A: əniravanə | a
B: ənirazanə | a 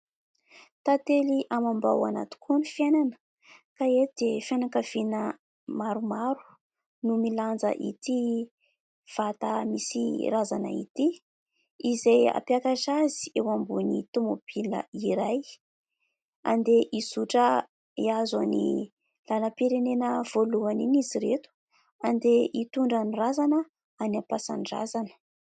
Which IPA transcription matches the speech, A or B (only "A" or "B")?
B